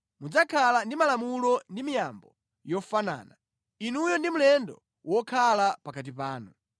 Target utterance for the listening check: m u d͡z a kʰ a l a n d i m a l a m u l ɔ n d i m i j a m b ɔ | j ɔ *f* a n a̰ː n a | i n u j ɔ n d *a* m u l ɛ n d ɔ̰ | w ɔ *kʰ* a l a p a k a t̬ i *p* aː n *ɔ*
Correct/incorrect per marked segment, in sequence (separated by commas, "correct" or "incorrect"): correct, incorrect, correct, correct, incorrect